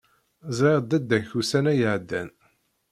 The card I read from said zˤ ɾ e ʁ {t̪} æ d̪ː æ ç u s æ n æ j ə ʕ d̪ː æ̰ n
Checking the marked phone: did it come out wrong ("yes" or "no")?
yes